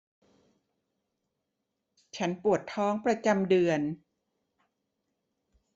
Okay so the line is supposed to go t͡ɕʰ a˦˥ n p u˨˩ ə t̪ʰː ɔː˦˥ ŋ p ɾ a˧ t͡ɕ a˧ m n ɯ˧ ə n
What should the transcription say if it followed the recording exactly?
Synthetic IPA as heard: t͡ɕʰ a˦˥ n p u˨˩ ə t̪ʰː ɔː˦˥ ŋ p ɾ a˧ t͡ɕ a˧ m d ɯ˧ ə n